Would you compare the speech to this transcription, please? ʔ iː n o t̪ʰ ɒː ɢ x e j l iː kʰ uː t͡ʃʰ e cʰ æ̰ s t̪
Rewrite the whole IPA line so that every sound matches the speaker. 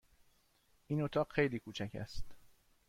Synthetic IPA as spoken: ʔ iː n o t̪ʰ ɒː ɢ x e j l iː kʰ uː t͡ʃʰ æ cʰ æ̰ s t̪